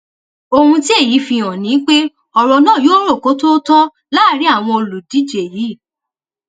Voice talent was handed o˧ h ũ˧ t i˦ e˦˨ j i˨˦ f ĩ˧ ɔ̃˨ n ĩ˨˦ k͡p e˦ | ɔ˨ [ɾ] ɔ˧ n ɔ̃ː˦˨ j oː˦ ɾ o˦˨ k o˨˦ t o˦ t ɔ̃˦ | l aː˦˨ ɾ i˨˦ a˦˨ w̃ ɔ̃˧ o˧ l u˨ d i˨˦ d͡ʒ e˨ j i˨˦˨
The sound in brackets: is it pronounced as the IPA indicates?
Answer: yes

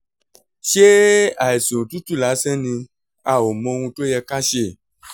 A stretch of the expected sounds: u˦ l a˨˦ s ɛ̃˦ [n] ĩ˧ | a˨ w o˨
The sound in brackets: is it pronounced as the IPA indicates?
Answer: yes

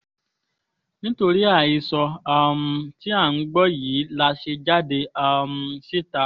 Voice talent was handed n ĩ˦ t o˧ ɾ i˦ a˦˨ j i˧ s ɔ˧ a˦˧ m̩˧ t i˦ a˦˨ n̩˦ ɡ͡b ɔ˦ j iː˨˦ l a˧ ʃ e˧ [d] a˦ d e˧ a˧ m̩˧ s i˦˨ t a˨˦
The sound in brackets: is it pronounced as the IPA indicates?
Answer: no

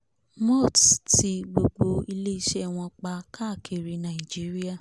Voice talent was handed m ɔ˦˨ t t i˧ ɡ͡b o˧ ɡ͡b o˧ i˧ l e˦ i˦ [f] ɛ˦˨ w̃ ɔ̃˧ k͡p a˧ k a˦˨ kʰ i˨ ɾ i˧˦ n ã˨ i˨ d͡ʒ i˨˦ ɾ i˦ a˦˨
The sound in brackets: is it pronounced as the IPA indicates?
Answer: no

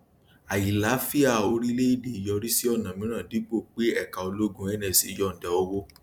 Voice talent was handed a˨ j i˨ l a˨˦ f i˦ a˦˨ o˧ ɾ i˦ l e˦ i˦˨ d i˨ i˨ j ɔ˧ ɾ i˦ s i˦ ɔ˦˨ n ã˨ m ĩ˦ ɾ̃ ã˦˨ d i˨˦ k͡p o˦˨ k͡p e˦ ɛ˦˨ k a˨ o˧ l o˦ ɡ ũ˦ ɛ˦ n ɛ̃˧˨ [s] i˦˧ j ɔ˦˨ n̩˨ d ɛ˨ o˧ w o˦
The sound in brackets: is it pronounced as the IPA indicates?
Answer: yes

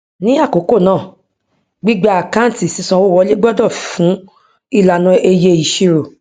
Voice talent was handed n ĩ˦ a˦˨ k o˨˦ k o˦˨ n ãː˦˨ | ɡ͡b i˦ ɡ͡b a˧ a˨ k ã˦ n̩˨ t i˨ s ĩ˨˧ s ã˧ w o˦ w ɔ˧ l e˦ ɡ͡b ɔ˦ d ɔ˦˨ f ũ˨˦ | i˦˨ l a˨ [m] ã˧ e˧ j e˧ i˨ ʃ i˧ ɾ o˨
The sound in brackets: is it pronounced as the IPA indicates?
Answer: no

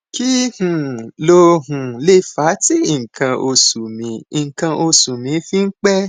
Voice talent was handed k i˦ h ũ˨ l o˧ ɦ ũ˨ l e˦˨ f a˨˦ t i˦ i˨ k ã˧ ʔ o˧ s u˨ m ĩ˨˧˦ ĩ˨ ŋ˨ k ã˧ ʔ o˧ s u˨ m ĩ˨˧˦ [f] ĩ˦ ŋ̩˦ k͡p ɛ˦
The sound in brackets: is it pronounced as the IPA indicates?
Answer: yes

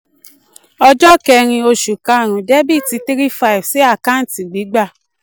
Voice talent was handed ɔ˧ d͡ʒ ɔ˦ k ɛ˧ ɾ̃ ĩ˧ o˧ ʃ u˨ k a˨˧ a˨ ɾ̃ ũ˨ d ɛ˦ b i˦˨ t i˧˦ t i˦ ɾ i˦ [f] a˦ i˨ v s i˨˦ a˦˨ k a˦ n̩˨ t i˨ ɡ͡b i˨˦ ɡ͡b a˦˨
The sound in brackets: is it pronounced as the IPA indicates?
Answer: yes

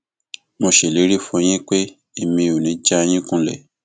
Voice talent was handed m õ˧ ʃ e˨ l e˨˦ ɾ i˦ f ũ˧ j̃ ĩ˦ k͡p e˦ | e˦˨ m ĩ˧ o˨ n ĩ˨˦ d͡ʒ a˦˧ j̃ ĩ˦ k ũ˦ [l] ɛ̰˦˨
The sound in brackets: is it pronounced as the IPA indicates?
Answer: yes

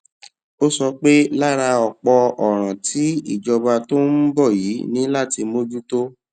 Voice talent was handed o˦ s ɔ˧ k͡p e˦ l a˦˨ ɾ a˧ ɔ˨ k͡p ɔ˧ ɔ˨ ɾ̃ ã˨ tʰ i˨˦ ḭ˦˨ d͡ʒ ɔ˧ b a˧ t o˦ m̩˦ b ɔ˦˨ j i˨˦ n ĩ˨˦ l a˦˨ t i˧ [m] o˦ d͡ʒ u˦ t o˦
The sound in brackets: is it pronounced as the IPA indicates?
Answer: yes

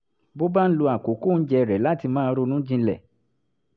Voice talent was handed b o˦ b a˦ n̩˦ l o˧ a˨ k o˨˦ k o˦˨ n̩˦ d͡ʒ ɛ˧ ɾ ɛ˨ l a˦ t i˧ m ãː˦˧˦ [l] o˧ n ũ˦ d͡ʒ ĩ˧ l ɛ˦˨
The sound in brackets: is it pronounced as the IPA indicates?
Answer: no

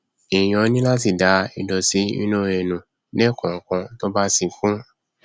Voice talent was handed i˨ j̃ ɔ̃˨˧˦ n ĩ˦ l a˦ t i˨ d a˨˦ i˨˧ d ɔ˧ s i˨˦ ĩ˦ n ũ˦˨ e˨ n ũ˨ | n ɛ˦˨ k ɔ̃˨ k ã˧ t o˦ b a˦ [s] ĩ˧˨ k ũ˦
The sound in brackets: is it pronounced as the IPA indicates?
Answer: yes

